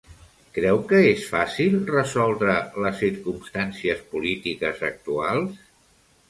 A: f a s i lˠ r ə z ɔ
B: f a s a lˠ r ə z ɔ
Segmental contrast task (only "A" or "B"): A